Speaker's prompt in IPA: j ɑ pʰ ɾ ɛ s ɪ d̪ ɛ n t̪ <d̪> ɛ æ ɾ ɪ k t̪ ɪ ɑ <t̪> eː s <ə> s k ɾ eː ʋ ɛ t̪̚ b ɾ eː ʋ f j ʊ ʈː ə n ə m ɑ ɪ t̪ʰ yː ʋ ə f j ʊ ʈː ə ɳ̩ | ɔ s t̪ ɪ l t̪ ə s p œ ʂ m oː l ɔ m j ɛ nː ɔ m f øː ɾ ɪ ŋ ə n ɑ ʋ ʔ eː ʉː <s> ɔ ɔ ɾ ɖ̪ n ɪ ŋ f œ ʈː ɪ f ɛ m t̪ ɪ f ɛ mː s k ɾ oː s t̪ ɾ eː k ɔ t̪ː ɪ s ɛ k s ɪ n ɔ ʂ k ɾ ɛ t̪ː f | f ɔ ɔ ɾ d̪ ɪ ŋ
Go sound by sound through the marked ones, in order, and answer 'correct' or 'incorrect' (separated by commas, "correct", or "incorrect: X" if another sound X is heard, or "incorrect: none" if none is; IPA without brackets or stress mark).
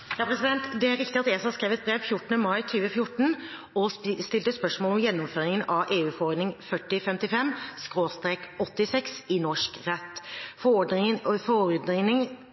correct, correct, incorrect: ɑ, incorrect: f